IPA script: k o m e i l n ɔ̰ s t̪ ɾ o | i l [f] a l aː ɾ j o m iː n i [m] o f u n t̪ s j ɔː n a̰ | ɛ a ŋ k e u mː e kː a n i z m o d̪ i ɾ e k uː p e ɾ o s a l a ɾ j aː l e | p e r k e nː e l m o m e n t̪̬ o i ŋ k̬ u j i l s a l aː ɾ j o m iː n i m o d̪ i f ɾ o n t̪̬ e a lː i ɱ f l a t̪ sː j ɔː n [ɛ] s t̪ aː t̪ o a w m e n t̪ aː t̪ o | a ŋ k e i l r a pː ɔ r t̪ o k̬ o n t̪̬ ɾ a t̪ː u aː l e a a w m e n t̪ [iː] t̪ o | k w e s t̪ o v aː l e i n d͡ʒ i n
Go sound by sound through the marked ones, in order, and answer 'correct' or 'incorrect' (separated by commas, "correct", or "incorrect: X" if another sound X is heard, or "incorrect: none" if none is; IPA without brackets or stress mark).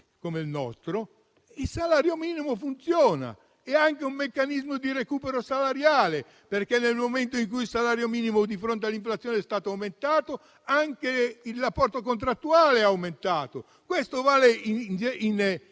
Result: incorrect: s, correct, correct, incorrect: aː